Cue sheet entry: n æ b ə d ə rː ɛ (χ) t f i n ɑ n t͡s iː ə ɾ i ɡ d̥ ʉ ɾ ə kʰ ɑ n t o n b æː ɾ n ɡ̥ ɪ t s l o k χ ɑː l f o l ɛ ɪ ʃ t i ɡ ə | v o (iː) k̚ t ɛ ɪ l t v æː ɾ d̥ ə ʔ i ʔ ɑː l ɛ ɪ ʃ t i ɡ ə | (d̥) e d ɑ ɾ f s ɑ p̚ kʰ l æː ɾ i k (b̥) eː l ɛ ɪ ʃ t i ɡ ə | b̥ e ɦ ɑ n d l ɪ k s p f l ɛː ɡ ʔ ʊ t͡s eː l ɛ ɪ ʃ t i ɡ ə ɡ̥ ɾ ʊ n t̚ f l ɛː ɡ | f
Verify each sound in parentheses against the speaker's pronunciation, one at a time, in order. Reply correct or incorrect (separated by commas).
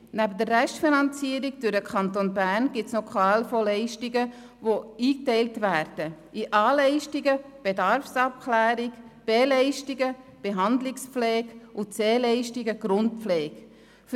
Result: incorrect, correct, incorrect, correct